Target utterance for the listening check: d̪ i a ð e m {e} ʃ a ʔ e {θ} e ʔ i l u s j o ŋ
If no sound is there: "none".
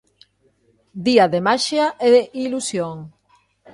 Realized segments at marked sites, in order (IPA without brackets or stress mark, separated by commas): a, ð